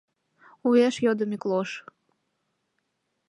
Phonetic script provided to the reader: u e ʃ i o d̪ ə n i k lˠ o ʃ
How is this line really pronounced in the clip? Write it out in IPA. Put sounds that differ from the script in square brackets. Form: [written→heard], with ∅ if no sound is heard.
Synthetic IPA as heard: u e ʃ [i→j] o d̪ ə [n→m] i k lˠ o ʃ

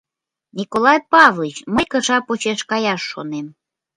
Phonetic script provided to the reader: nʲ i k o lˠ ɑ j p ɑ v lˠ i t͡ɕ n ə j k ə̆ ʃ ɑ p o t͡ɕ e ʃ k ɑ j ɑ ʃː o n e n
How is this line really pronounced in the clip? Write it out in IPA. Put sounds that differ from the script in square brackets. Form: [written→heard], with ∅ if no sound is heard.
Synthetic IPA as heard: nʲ i k o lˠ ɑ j p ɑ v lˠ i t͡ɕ [n→m] ə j k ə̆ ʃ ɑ p o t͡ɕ e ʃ k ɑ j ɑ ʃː o n e [n→m]

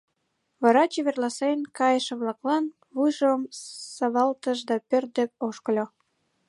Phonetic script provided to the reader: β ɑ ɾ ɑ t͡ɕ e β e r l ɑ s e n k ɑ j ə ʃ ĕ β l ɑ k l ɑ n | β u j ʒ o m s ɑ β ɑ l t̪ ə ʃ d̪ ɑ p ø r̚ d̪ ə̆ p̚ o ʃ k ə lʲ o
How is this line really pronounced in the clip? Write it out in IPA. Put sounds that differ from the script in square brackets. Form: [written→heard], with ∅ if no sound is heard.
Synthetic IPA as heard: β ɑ ɾ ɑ t͡ɕ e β e r l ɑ s e n k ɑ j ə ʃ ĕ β l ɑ k l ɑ n | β u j ʒ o m s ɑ β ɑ l t̪ ə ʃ d̪ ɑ p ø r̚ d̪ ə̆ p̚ o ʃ k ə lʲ o

